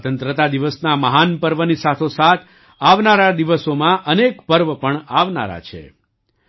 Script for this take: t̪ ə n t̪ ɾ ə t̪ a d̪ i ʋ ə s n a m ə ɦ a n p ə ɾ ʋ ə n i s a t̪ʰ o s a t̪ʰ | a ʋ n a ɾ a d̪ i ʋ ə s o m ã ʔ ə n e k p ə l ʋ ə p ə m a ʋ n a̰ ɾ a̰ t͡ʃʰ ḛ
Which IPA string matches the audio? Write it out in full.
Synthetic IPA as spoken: t̪ ə n t̪ ɾ ə t̪ a d̪ i ʋ ə s n a m ə ɦ a n p ə ɾ ʋ ə n i s a t̪ʰ o s a t̪ʰ | a ʋ n a ɾ a d̪ i ʋ ə s o m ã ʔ ə n e k p ə ɾ ʋ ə p ə ɳ a ʋ n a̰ ɾ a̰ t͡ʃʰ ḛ